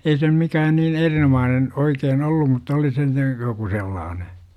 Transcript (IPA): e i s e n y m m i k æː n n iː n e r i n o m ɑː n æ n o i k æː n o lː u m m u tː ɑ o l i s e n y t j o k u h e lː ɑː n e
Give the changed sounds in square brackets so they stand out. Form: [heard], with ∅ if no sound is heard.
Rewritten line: e i s e n y m m i k æː n n iː n e r i n o m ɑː n [e] n o i k [eː] n o lː u m m u tː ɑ o l i s e n y t j o k u [s] e lː ɑː n e